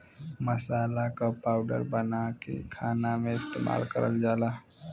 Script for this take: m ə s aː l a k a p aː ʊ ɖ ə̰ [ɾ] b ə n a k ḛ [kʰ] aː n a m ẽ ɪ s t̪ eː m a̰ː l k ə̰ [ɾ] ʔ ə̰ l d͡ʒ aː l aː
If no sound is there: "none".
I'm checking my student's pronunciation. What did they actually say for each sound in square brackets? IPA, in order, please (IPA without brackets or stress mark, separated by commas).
ɾ, kʰ, ɾ